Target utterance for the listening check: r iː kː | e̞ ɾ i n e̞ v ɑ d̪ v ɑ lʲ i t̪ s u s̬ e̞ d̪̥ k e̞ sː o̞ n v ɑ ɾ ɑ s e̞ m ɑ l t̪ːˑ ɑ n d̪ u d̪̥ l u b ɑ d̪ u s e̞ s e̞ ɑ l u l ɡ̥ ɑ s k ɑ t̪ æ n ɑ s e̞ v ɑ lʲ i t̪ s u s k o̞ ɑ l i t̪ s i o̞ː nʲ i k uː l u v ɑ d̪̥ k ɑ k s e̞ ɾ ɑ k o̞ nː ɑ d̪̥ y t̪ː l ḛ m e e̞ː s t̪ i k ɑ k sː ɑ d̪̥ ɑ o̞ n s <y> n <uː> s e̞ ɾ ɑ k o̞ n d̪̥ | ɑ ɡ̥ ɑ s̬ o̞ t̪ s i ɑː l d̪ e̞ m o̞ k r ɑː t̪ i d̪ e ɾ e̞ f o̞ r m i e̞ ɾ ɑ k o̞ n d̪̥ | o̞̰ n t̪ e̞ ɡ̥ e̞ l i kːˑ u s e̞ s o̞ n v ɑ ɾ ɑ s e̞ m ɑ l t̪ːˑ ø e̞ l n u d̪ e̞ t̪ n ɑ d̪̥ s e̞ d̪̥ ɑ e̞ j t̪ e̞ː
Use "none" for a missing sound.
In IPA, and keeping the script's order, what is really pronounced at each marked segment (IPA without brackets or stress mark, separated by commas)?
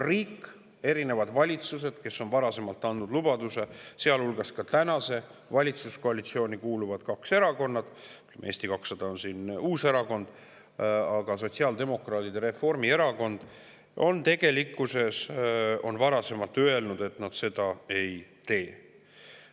i, uː